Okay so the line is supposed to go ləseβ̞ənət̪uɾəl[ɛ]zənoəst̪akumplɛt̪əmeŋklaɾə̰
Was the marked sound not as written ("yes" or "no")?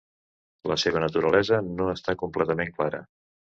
no